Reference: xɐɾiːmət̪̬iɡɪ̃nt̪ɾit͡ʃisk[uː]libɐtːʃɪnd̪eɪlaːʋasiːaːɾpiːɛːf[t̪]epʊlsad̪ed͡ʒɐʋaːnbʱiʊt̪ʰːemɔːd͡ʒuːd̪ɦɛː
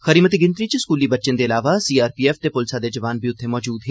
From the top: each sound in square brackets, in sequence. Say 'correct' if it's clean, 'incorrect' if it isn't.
correct, correct

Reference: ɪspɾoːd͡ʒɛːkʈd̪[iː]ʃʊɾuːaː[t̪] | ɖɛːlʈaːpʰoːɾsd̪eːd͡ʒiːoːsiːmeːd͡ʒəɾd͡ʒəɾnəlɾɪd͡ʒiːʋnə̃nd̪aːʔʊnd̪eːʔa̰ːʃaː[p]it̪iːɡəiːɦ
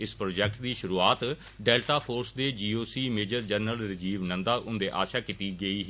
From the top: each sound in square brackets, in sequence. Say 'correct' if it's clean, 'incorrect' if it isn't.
correct, correct, incorrect: k

